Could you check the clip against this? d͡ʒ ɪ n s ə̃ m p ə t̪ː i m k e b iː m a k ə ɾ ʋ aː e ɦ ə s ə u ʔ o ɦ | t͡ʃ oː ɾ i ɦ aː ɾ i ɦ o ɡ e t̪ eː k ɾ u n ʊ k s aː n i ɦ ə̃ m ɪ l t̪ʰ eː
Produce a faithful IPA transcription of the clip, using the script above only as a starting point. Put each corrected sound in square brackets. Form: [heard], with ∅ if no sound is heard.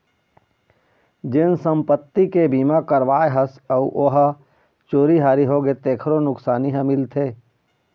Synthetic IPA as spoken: d͡ʒ ɪ n s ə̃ m p ə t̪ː i [∅] k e b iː m a k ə ɾ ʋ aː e ɦ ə s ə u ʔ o ɦ | t͡ʃ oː ɾ i ɦ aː ɾ i ɦ o ɡ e t̪ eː [kʰ] ɾ [o] n ʊ k s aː n i ɦ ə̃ m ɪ l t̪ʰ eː